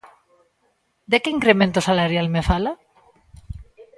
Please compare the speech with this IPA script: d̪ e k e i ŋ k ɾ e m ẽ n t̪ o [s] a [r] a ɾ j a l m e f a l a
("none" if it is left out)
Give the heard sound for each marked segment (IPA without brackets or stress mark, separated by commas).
s, l